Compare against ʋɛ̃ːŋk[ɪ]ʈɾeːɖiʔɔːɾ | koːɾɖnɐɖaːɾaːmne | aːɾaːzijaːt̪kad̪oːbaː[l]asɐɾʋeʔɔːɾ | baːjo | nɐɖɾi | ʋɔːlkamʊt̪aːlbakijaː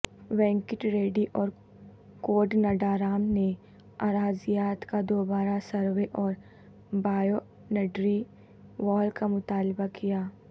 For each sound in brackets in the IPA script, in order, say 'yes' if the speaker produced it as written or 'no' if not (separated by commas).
yes, no